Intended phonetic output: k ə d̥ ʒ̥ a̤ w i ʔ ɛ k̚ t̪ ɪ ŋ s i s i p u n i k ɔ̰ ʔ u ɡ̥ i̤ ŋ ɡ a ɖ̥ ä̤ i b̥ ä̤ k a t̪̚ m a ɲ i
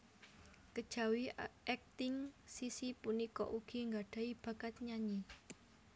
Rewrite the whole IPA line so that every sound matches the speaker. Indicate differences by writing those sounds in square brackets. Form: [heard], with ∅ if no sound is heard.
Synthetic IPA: k ə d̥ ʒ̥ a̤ w i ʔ ɛ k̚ t̪ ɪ ŋ s i s i p u n i k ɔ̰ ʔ u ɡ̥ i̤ ŋ ɡ a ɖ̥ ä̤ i b̥ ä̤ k a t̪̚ [ɲ] a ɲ i